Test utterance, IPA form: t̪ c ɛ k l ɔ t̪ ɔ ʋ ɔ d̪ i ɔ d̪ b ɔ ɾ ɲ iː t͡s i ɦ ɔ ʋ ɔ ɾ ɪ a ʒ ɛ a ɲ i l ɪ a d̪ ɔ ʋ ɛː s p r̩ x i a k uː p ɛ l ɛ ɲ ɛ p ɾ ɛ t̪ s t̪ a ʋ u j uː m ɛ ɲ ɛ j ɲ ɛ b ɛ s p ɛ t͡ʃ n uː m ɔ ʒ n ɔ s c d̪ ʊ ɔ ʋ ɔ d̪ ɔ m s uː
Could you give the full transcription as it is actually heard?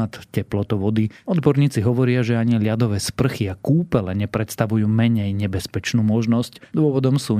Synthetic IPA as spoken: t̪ c ɛ p l ɔ t̪ ɔ ʋ ɔ d̪ i ɔ d̪ b ɔ ɾ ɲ iː t͡s i ɦ ɔ ʋ ɔ ɾ ɪ a ʒ ɛ a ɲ i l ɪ a d̪ ɔ ʋ ɛː s p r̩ x i a k uː p ɛ l ɛ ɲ ɛ p ɾ ɛ t̪ s t̪ a ʋ u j uː m ɛ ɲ ɛ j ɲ ɛ b ɛ s p ɛ t͡ʃ n uː m ɔ ʒ n ɔ s c d̪ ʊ ɔ ʋ ɔ d̪ ɔ m s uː